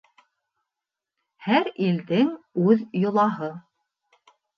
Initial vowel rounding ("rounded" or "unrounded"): unrounded